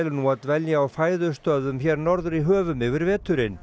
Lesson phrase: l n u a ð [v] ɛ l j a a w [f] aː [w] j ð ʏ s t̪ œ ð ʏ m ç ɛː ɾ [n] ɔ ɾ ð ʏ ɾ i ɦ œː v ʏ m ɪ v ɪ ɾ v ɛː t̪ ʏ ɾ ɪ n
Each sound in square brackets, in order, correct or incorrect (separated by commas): correct, correct, incorrect, correct